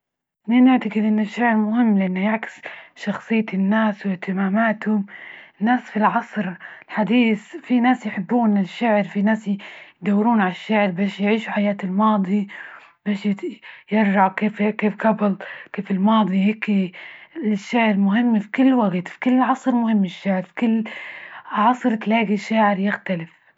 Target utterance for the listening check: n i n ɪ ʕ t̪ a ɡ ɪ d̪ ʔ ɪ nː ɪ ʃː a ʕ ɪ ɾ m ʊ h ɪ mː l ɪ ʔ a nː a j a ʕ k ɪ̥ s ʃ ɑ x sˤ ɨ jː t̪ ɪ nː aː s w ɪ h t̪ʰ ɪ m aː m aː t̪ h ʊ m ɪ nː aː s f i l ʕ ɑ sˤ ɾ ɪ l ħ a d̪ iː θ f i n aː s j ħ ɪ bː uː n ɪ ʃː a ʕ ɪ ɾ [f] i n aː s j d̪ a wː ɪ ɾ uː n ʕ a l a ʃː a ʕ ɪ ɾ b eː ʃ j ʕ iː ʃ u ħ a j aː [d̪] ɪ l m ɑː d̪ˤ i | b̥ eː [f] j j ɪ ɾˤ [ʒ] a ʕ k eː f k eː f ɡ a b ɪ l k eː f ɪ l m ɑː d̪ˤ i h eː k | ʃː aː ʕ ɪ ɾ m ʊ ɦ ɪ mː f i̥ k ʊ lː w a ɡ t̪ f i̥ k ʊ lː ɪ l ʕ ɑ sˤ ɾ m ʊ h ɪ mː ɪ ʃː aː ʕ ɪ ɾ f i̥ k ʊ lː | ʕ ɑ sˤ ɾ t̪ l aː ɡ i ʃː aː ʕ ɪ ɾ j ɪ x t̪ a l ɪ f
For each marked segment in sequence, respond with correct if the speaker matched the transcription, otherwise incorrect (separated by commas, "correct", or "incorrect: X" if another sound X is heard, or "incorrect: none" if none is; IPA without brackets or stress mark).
correct, incorrect: t̪, incorrect: ʃ, correct